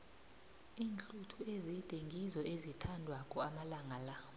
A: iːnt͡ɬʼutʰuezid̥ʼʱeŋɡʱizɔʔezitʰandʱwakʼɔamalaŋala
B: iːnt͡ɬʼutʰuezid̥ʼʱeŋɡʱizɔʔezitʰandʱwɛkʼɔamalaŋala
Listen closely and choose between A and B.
A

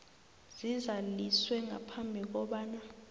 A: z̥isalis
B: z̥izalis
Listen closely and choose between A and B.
B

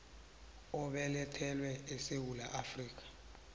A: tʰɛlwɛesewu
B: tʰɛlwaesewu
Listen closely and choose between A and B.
A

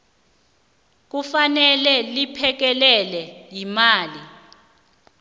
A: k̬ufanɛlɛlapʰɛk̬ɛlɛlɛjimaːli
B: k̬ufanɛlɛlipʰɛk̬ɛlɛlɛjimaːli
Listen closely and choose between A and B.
B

